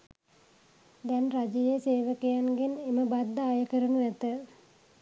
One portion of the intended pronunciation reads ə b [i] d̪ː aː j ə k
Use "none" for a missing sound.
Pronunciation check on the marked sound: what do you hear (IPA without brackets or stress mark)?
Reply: a